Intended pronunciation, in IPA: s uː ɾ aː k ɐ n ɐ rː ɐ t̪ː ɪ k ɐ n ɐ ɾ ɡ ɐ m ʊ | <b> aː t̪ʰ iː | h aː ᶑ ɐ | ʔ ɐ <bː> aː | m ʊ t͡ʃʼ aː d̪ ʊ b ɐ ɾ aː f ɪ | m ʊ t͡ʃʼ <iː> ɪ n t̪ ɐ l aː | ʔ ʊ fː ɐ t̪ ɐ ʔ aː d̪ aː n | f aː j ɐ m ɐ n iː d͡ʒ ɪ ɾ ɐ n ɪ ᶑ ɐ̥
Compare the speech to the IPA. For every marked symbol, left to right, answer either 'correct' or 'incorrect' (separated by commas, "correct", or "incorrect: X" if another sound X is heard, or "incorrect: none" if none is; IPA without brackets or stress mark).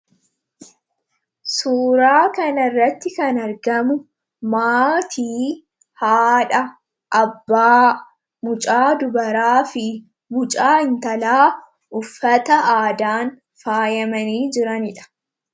incorrect: m, correct, incorrect: aː